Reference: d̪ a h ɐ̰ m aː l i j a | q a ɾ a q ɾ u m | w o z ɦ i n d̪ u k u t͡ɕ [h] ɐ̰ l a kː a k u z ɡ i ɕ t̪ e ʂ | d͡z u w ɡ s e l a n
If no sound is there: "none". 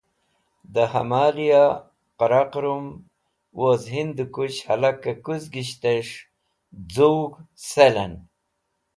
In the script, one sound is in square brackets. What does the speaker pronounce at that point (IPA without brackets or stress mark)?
h